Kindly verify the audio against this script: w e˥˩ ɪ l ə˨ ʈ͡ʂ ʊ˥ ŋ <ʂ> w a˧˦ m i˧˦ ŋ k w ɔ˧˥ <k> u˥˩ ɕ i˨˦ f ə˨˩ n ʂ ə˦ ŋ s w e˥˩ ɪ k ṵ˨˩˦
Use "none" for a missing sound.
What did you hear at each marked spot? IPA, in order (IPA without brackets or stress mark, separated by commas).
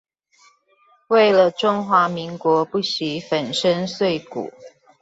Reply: x, p